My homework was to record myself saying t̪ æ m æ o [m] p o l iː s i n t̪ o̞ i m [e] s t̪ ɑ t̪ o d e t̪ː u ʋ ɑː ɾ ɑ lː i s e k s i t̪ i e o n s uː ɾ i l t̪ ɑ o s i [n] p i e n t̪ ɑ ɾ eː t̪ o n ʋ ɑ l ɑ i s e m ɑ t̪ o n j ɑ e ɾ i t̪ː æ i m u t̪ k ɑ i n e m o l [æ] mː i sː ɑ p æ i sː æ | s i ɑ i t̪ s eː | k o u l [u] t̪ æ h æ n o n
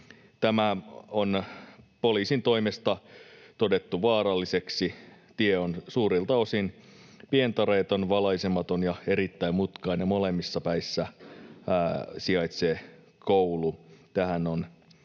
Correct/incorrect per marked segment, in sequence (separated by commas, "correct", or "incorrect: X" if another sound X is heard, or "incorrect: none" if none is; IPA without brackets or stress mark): incorrect: n, correct, correct, incorrect: e, correct